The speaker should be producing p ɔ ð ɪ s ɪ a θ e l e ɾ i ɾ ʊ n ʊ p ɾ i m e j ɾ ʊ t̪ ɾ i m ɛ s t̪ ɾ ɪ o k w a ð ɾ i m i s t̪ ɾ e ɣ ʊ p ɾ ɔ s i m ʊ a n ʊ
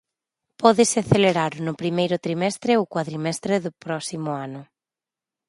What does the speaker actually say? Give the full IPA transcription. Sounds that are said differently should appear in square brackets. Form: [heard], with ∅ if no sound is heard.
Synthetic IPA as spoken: p ɔ ð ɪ s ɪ a θ e l e ɾ [a] ɾ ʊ n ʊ p ɾ i m e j ɾ ʊ t̪ ɾ i m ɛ s t̪ ɾ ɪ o k w a ð ɾ i m [ɛ] s t̪ ɾ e [ð] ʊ p ɾ ɔ s i m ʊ a n ʊ